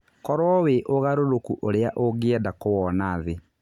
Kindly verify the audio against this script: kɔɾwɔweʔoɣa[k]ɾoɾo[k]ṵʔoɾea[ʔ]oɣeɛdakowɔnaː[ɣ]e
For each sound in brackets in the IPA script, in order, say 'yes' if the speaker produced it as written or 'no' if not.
no, yes, yes, no

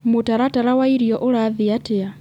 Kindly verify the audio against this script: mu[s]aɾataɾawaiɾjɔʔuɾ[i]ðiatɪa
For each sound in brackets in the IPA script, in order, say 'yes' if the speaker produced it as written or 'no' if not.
no, no

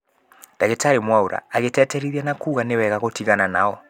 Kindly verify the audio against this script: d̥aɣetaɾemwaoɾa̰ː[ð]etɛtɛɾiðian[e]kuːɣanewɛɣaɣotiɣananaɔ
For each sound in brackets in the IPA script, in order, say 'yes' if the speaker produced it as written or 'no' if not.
no, no

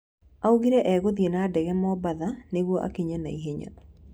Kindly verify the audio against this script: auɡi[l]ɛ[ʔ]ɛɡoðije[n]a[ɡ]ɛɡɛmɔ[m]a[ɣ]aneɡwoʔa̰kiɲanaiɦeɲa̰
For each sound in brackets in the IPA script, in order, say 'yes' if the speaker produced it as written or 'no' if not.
no, yes, yes, no, no, no

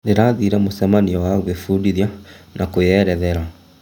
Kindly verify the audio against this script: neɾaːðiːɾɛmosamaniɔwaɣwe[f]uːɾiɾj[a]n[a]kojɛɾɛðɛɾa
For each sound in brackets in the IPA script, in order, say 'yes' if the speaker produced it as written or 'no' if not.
yes, yes, yes

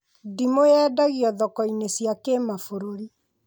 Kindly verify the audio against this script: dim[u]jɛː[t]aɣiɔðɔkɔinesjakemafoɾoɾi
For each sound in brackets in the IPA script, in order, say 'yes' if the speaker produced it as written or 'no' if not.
no, no

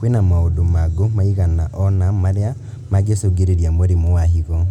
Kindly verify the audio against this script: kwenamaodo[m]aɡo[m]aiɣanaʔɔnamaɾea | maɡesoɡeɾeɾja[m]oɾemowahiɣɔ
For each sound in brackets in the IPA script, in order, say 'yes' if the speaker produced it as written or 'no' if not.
yes, yes, yes

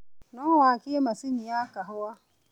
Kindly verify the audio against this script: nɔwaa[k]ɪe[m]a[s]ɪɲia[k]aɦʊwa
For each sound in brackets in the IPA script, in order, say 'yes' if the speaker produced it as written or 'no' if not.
yes, yes, yes, yes

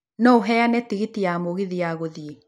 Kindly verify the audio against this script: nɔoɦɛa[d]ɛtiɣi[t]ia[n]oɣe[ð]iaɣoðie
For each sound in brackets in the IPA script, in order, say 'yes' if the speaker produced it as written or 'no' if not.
no, yes, no, yes

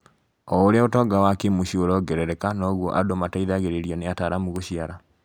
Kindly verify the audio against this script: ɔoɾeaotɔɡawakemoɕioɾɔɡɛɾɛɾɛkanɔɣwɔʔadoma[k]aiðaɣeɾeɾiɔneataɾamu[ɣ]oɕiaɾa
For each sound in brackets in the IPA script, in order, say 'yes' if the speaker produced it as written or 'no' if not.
no, yes

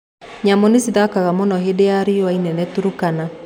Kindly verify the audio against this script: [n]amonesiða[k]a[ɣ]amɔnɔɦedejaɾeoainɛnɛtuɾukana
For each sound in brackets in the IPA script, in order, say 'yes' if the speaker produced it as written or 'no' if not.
no, yes, yes

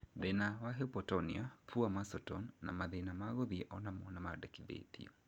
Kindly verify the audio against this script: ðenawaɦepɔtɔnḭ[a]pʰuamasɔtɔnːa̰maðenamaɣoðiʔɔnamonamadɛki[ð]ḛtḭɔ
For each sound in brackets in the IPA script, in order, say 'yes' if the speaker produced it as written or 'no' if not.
yes, yes

